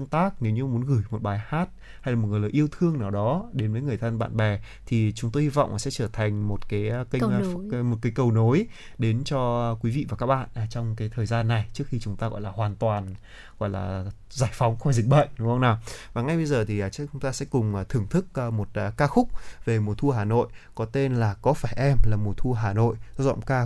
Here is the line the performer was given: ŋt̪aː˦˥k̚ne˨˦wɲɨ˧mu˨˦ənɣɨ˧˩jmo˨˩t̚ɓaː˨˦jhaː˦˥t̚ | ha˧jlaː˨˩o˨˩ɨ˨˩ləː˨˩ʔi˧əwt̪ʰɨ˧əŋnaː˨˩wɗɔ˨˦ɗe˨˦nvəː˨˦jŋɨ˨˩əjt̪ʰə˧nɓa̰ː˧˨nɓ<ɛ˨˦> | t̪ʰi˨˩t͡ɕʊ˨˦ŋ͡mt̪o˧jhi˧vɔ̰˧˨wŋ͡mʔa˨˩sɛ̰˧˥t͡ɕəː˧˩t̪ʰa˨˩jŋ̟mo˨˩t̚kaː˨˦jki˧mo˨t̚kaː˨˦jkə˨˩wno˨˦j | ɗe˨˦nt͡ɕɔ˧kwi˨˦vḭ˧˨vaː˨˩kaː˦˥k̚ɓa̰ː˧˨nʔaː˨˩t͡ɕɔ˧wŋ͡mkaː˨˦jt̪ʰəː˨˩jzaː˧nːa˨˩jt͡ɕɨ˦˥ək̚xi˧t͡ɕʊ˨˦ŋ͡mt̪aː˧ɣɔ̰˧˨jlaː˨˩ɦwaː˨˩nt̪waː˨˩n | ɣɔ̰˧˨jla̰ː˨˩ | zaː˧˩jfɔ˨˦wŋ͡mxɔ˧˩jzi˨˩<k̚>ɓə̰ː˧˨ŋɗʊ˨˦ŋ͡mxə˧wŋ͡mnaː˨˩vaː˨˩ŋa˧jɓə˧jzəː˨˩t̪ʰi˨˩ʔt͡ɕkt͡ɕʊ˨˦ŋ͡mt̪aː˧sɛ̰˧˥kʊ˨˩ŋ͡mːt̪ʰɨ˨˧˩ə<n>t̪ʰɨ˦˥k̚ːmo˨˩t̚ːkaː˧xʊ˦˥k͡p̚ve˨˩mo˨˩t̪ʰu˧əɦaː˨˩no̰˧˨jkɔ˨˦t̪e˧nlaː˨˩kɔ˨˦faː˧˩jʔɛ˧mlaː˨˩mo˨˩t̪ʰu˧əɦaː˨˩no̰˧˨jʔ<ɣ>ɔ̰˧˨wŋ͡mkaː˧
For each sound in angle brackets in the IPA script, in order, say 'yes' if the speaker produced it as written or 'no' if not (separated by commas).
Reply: no, yes, no, no